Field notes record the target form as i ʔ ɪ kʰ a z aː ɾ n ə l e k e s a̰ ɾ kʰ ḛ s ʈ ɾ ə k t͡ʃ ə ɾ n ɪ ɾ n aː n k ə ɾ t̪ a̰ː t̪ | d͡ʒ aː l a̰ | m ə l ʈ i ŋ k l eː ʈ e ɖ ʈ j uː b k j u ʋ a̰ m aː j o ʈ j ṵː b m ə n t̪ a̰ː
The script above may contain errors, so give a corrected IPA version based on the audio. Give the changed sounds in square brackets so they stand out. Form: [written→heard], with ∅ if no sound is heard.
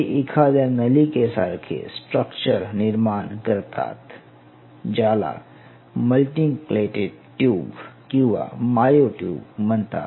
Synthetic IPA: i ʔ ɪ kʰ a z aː ɾ n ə l [e→i] k e s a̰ ɾ kʰ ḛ s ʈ ɾ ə k t͡ʃ ə ɾ n ɪ ɾ [n→m] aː n k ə ɾ t̪ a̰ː t̪ | d͡ʒ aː l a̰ | m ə l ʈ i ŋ k l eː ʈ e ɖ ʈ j uː b k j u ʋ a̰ m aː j o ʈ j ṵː b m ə n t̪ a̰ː